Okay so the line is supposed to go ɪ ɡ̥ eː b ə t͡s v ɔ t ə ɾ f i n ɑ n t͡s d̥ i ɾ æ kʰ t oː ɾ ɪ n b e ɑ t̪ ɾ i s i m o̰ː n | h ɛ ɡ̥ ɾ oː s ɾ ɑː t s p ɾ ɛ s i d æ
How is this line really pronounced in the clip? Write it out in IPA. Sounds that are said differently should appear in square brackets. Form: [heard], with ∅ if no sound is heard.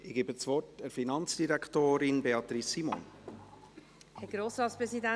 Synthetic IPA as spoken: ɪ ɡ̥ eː b ə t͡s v ɔ t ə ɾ f i n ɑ n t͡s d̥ i ɾ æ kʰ t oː ɾ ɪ n b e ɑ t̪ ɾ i s i m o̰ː n | h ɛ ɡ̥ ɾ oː s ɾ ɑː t s p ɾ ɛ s i d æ